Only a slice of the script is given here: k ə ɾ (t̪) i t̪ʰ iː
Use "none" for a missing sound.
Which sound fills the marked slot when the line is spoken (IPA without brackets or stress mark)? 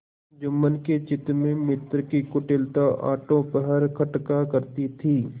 t̪